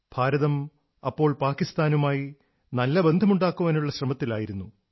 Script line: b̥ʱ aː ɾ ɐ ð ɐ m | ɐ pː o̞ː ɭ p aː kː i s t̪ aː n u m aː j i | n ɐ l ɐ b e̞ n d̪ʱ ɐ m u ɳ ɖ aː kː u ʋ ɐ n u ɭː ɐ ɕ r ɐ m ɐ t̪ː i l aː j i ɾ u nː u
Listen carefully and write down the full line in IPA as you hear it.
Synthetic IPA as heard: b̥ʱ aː ɾ ɐ ð ɐ m | ɐ pː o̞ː ɭ p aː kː i s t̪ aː n u m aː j i | n ɐ lː ɐ b e̞ n d̪ʱ ɐ m u ɳ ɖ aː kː u ʋ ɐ n u ɭː ɐ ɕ r ɐ m ɐ t̪ː i l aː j i ɾ u nː u